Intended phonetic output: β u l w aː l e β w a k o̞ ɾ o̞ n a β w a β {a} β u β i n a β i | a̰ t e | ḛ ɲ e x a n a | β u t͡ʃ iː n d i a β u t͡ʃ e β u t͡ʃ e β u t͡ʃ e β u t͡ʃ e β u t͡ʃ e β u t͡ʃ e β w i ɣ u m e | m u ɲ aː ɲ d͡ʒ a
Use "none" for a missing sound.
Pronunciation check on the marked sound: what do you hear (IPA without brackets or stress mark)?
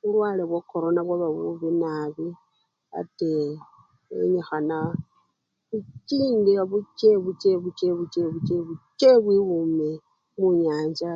a